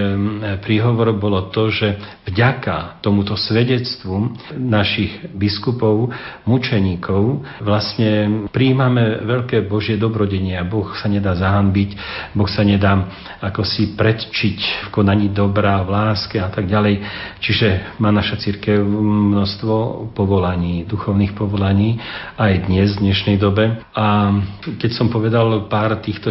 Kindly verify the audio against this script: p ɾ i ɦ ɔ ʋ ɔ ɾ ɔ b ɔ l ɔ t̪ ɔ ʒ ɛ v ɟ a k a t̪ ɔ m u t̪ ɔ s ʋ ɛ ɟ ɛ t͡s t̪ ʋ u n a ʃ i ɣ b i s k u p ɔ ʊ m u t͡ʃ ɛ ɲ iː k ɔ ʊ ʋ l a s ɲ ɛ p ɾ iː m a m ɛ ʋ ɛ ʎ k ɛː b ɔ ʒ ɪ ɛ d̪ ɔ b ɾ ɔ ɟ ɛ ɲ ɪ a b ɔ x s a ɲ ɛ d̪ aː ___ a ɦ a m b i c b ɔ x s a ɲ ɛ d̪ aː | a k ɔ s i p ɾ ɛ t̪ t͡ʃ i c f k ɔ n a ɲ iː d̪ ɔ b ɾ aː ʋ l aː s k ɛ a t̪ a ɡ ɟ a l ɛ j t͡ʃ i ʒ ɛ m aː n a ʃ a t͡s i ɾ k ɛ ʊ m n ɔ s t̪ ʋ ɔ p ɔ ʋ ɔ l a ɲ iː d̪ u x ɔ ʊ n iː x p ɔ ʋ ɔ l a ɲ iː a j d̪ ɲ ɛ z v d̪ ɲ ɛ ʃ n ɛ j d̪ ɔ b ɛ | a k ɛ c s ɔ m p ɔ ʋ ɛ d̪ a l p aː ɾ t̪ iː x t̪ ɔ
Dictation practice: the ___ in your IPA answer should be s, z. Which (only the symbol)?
z